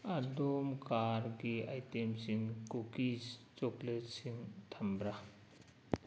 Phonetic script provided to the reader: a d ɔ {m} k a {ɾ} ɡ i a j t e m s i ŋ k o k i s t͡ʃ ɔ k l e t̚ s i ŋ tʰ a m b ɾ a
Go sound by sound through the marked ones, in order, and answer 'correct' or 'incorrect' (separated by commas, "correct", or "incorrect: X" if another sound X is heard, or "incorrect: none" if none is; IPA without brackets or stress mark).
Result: correct, correct